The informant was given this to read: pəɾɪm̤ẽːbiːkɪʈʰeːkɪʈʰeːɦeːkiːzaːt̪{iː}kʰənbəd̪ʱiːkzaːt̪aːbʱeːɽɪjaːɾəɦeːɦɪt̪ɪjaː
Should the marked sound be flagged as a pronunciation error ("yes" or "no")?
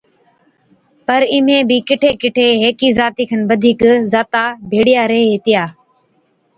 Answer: no